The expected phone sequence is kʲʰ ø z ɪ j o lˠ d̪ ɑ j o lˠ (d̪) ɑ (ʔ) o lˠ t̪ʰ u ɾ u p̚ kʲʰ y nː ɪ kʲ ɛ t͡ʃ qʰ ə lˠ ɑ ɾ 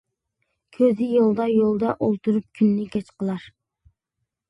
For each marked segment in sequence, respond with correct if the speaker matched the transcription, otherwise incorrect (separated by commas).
correct, correct